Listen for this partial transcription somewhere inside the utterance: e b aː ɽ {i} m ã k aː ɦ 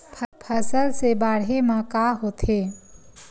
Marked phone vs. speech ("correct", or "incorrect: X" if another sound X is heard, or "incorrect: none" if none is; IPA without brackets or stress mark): incorrect: e